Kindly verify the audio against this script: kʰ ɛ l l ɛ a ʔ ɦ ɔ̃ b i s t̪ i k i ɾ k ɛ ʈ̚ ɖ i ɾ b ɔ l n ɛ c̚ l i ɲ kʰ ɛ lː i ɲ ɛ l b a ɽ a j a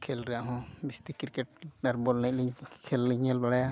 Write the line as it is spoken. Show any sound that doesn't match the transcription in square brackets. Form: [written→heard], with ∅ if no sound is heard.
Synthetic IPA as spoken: kʰ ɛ l [l→ɾ] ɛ a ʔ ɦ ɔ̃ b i s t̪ i k i ɾ k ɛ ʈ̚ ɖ [i→a] ɾ b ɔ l n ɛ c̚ l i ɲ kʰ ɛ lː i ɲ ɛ l b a ɽ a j a